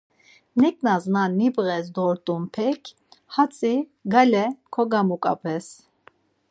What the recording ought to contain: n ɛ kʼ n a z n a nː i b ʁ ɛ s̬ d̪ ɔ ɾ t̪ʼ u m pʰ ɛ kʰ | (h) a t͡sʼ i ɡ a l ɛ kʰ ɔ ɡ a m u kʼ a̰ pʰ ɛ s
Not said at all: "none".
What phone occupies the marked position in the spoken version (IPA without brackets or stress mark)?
h